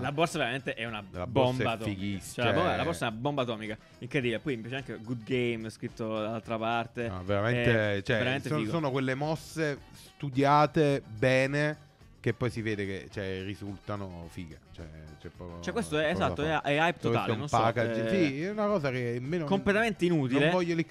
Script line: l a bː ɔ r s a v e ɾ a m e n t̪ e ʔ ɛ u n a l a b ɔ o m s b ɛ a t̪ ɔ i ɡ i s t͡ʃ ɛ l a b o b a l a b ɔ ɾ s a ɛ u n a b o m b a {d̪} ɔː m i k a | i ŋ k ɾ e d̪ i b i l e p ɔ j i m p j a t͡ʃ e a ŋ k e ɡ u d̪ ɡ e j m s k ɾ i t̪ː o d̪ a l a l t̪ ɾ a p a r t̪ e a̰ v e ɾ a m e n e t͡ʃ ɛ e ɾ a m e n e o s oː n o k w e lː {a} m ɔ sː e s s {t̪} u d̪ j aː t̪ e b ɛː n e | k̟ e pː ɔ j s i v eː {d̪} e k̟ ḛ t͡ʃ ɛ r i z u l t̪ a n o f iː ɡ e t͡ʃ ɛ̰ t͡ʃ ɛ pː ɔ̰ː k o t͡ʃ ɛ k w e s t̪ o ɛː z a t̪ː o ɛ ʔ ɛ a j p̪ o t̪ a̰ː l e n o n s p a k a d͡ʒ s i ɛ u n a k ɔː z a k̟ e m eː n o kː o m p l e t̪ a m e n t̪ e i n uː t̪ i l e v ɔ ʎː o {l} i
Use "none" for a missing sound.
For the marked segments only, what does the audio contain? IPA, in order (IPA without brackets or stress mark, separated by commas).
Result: t̪, e, t̪, d̪, l